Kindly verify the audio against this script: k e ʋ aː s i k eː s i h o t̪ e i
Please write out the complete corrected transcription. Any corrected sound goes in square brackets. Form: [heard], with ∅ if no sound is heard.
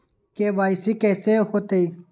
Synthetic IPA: k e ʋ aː s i k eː s [e] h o t̪ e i